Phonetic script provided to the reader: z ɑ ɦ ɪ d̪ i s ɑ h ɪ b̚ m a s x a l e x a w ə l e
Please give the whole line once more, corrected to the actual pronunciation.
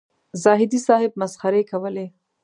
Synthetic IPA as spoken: z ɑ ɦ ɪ d̪ i s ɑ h ɪ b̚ m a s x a ɾ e k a w ə l e